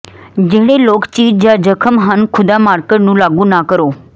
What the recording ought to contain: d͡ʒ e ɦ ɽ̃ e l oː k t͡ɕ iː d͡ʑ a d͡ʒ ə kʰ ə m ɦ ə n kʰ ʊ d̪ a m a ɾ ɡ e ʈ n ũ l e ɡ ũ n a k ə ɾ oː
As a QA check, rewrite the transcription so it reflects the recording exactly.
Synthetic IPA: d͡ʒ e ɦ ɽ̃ e l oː k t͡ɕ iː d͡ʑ a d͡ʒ ə kʰ ə m ɦ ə n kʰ ʊ d̪ a m a ɾ k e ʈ n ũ l a ɡ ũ n a k ə ɾ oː